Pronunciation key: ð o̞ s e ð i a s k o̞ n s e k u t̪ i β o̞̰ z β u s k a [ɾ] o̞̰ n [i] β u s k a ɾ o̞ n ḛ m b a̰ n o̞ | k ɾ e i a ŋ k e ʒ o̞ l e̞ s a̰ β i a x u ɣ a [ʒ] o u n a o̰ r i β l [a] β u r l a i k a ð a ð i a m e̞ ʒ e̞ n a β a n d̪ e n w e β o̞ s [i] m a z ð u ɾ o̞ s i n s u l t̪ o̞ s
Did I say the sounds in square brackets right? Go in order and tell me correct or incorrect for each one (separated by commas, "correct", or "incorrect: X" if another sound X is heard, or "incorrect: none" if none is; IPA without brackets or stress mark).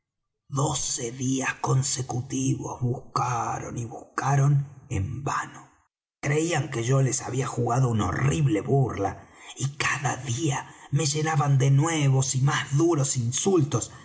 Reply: correct, correct, incorrect: ð, incorrect: e, correct